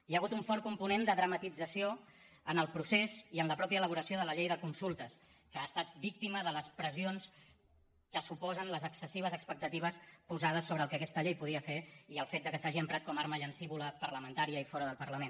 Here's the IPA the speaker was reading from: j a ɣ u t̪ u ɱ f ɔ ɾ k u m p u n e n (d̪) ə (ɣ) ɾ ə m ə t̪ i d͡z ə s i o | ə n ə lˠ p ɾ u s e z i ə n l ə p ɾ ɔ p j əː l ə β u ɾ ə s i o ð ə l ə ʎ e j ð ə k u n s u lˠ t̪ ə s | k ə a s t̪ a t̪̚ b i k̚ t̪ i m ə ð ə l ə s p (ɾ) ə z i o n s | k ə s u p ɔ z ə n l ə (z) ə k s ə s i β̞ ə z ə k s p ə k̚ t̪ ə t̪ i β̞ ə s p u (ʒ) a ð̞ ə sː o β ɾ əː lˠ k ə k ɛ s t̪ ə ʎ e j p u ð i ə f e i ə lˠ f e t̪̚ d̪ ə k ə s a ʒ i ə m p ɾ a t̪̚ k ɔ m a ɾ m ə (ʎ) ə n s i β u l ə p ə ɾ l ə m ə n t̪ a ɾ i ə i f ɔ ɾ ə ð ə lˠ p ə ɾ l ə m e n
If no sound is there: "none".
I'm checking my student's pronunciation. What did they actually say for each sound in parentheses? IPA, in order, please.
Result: d̪, ð, ɾ, z, z, ʎ

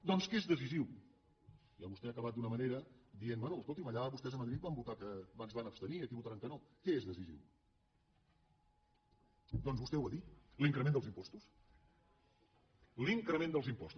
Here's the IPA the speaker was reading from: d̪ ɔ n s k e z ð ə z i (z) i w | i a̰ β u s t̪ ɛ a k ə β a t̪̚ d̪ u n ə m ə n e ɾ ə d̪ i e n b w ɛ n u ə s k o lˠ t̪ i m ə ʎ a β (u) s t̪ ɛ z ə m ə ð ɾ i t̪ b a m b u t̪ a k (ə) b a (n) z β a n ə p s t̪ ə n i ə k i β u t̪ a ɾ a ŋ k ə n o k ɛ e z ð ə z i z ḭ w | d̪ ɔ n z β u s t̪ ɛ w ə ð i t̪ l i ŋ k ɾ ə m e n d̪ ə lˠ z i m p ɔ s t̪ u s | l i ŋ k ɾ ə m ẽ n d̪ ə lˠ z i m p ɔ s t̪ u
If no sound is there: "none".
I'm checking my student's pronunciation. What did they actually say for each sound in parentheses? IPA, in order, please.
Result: z, u, ə, n

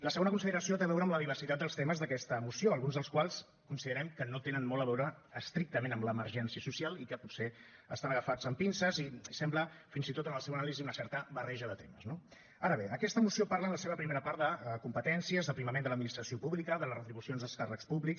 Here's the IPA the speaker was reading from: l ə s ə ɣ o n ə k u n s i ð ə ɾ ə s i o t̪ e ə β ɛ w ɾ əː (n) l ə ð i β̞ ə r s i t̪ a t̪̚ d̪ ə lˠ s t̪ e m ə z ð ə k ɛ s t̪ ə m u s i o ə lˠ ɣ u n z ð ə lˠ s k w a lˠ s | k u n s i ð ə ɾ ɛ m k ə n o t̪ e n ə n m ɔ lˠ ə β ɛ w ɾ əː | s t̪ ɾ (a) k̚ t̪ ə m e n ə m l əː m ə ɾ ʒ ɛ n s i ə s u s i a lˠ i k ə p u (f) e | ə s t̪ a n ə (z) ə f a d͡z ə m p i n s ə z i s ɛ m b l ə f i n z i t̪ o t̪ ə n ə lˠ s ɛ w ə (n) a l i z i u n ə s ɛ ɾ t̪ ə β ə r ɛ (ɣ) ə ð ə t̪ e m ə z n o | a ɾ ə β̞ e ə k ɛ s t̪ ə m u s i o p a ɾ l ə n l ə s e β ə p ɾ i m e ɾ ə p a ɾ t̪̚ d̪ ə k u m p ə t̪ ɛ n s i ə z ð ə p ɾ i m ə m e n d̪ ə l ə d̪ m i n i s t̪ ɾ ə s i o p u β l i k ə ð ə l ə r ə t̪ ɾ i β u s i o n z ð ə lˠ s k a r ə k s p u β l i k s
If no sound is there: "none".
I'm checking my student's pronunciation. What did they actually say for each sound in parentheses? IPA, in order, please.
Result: m, i, s, ɣ, n, ʒ

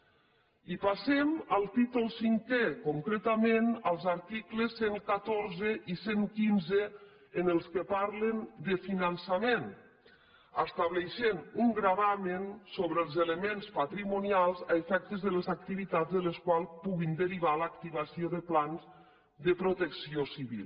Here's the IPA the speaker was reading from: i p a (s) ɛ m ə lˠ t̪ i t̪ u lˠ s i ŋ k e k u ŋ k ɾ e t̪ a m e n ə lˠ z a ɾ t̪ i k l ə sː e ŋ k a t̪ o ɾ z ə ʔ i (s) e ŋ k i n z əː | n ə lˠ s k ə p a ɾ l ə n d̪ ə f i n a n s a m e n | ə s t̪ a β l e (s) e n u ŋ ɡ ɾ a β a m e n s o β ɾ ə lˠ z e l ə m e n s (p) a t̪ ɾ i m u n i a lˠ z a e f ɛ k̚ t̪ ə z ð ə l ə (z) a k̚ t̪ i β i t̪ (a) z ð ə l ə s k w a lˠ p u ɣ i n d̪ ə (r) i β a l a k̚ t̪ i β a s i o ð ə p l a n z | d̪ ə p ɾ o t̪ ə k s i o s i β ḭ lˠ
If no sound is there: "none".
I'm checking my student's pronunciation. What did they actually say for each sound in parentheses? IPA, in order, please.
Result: s, s, ʃ, p, z, a, ɾ

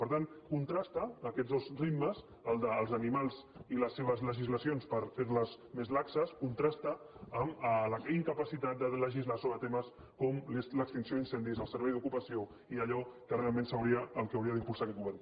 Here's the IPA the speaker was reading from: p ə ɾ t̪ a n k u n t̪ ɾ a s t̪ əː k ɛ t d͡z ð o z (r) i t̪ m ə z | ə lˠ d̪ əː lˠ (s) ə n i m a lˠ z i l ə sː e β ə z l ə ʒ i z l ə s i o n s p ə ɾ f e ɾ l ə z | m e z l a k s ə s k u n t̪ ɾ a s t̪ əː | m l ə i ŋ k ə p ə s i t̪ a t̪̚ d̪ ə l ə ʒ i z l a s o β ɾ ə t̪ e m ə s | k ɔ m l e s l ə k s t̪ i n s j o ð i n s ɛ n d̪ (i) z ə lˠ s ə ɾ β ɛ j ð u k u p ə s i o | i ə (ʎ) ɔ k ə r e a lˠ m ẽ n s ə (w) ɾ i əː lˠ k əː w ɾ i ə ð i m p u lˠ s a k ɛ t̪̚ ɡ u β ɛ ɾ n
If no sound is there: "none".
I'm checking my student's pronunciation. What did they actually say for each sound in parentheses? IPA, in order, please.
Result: r, z, i, ʎ, w

